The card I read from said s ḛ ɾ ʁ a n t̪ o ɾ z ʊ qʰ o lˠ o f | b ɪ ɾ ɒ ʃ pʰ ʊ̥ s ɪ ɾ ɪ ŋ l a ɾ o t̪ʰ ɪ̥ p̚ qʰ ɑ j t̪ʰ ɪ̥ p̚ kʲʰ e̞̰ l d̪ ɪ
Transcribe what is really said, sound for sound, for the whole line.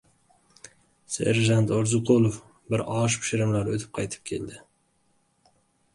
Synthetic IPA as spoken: s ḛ ɾ ʒ a n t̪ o ɾ z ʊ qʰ o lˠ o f | b ɪ ɾ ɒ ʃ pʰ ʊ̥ ʃ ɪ ɾ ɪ m l a ɾ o t̪ʰ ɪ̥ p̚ qʰ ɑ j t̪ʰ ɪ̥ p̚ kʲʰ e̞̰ l d̪ ɪ

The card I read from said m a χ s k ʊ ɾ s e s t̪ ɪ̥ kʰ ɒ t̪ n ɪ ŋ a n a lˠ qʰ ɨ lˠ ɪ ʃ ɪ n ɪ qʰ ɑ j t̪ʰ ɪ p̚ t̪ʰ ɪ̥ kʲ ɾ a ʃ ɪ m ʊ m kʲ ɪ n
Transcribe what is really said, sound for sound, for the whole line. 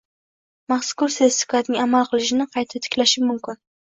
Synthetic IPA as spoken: m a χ s k ʊ ɾ s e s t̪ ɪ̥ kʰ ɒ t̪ n ɪ ŋ a m a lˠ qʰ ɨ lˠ ɪ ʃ ɪ n ɪ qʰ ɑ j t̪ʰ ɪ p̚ t̪ʰ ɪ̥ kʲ l a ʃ ɪ m ʊ m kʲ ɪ n

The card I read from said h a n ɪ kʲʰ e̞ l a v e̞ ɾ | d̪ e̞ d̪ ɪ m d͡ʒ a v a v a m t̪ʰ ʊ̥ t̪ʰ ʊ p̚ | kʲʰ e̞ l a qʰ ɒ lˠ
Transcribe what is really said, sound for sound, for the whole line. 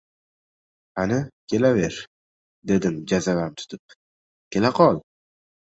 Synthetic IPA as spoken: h a n ɪ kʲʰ e̞ l a v e̞ ɾ | d̪ e̞ d̪ ɪ m d͡ʒ a z a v a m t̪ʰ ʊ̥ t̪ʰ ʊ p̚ | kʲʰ e̞ l a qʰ ɒ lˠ

